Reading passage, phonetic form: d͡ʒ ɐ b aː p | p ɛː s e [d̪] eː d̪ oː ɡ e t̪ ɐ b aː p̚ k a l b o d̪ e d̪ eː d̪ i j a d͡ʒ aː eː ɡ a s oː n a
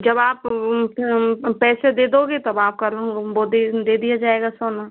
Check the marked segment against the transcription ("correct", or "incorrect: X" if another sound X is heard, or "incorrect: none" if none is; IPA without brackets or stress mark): correct